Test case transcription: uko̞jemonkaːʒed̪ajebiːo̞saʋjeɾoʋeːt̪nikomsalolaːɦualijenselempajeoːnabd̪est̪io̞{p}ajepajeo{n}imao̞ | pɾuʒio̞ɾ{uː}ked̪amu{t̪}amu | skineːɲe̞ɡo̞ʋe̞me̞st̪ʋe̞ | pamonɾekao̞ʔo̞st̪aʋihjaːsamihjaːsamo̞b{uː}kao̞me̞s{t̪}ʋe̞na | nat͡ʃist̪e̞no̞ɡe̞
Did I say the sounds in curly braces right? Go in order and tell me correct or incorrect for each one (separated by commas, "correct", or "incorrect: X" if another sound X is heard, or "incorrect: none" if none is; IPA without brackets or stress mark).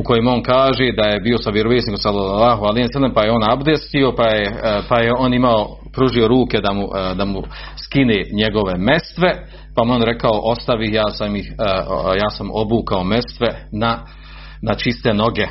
correct, correct, correct, incorrect: d̪, correct, correct